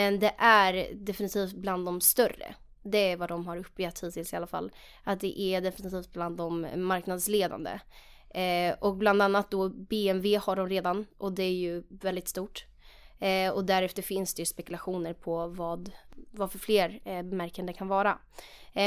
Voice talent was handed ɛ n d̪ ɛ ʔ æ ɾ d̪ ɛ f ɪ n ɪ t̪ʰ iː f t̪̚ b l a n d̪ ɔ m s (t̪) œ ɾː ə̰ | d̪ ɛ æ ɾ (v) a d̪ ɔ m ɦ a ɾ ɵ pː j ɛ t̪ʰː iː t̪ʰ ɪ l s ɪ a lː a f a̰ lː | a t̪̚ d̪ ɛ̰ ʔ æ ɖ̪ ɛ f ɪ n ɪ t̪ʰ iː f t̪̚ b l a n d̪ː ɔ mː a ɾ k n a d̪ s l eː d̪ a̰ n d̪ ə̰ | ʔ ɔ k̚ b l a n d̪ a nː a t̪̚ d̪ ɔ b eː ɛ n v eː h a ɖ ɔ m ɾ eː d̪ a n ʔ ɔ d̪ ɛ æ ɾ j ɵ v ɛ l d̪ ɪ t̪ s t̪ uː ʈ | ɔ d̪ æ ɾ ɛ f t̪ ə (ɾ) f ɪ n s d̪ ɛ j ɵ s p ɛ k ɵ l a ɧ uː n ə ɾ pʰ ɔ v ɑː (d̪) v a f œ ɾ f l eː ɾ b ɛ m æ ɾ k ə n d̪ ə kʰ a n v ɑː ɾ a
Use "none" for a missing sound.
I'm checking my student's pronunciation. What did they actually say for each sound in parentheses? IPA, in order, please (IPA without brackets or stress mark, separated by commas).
t̪, v, ɾ, d̪